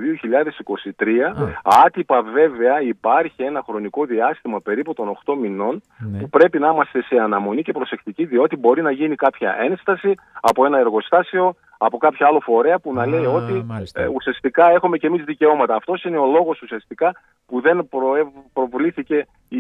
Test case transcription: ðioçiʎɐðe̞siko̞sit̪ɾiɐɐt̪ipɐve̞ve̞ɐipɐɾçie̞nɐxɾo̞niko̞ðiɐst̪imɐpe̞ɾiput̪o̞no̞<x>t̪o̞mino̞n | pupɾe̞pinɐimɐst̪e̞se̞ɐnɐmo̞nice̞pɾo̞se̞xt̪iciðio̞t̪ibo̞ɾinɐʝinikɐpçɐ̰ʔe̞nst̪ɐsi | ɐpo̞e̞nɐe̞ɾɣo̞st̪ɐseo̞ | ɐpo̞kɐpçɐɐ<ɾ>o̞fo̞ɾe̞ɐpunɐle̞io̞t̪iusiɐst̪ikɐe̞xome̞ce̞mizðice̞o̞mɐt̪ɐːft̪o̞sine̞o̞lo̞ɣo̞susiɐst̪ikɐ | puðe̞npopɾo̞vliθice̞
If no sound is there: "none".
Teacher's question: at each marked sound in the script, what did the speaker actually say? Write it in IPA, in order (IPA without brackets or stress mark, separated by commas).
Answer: x, l